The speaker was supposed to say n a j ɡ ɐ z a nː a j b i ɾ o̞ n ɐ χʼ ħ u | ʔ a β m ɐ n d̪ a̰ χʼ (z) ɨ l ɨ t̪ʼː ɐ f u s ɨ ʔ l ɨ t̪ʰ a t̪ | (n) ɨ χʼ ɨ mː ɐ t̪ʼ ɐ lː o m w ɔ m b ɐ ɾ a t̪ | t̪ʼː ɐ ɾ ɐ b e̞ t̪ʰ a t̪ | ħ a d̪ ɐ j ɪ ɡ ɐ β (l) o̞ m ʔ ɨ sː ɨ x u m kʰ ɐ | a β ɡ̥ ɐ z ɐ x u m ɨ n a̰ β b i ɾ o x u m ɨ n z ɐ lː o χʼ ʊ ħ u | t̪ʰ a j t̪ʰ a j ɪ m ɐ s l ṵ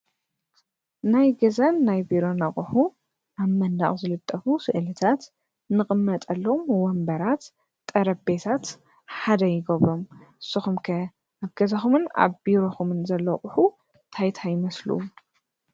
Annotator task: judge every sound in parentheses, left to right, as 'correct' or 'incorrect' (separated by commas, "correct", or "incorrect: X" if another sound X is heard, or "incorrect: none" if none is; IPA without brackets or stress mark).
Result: correct, correct, incorrect: ɾ